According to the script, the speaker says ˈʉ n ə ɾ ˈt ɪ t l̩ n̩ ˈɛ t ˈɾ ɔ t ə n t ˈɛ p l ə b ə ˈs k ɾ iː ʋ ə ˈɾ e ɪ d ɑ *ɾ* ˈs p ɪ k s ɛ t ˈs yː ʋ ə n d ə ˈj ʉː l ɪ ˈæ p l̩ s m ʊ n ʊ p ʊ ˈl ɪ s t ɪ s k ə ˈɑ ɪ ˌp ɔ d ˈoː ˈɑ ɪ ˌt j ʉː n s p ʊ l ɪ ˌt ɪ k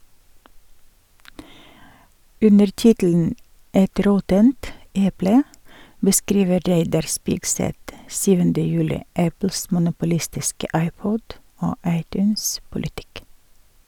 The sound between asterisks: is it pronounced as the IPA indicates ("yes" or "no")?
yes